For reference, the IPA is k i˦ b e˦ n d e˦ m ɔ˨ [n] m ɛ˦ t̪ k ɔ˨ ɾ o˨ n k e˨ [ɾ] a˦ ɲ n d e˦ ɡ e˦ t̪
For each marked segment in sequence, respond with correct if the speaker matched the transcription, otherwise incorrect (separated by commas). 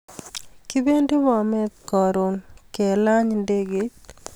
incorrect, incorrect